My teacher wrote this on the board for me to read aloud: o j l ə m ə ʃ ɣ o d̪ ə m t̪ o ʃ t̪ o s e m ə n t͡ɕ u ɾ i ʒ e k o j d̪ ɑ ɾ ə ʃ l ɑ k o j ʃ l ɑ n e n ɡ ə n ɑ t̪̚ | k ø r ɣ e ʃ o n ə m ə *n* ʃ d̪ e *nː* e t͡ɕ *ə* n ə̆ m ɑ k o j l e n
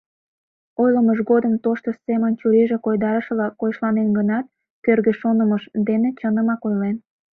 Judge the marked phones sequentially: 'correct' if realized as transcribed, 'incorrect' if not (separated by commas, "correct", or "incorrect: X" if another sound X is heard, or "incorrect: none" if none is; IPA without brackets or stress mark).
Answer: incorrect: none, incorrect: n, correct